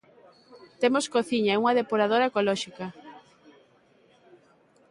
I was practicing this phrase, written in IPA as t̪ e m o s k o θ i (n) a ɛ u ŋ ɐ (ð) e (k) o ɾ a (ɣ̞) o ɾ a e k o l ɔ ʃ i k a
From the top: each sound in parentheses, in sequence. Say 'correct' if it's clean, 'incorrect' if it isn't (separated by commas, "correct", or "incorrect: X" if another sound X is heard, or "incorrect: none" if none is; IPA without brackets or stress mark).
incorrect: ɲ, correct, incorrect: p, incorrect: ð̞